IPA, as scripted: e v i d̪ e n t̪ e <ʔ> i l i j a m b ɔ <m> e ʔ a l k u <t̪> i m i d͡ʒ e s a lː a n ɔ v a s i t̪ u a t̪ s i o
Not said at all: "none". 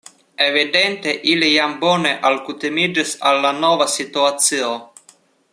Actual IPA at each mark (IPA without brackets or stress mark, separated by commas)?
ʔ, n, t̪